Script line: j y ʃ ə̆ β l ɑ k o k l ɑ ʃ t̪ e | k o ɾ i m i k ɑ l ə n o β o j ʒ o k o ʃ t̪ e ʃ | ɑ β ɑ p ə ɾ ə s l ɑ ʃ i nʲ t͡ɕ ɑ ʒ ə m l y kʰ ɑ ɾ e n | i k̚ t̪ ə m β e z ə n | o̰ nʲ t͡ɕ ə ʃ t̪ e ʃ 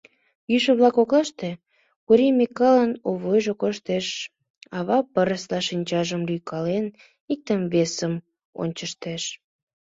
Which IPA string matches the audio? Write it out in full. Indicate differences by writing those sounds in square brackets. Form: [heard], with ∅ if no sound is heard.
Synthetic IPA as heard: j y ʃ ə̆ β l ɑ k o k l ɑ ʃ t̪ e | k [u] ɾ i m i k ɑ l ə n o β o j ʒ o k o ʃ t̪ e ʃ | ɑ β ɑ p ə ɾ ə s l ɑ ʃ i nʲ t͡ɕ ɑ ʒ ə m l y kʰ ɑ [l] e n | i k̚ t̪ ə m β e [s] ə [m] | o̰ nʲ t͡ɕ ə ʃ t̪ e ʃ